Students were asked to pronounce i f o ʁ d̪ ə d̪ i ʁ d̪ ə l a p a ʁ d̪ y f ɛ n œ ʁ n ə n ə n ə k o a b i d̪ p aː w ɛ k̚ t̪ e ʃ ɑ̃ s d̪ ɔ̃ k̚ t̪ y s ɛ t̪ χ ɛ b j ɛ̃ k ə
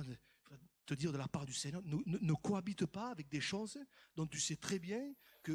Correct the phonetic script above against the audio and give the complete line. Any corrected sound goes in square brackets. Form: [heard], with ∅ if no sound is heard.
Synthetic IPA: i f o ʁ [t̪] ə d̪ i ʁ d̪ ə l a p a ʁ d̪ y [s] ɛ [ɲ] œ ʁ n ə n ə n ə k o a b i [t̪] p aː [v] ɛ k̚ [d̪] e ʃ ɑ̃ s d̪ ɔ̃ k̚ t̪ y s ɛ t̪ χ ɛ b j ɛ̃ k ə